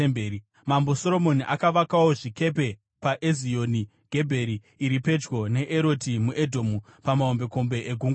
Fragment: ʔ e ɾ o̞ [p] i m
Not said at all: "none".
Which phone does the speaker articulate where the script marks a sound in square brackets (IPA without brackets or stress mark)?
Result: t